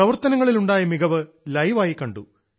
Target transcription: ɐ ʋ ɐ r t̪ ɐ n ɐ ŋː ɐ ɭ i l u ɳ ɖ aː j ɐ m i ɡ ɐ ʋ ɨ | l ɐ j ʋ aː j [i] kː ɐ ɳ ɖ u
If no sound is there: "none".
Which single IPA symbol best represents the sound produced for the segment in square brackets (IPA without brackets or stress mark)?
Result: i